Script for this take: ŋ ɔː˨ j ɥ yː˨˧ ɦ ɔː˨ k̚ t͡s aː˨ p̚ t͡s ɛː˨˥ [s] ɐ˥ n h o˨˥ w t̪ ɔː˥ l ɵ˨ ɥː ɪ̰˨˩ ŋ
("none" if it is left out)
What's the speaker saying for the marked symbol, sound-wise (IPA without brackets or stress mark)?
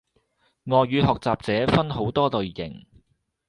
f